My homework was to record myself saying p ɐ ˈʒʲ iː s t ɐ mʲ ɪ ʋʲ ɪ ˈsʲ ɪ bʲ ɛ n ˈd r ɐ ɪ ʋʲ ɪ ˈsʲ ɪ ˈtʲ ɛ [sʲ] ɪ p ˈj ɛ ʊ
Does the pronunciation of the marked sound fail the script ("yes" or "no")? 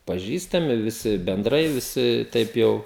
yes